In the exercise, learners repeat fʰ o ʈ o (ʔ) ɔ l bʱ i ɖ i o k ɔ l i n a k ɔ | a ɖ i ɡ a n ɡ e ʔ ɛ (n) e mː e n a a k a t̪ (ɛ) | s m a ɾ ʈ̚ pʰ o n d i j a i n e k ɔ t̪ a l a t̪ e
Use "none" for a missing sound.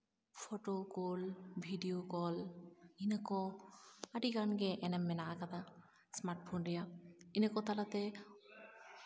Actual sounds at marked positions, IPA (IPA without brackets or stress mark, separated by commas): k, n, a